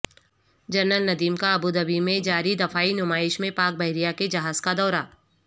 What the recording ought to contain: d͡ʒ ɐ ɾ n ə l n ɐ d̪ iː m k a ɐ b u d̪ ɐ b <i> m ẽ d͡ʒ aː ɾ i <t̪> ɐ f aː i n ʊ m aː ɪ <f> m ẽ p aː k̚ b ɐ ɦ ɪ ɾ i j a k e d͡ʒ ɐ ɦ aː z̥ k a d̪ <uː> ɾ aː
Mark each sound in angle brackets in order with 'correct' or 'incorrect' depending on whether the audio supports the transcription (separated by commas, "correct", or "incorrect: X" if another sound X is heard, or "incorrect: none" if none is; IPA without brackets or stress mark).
correct, incorrect: d̪, incorrect: ʃ, incorrect: ɔː